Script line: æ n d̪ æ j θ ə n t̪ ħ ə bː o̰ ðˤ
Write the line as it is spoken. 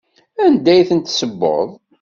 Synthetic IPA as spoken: æ n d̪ æ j θ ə n t̪ s ə bː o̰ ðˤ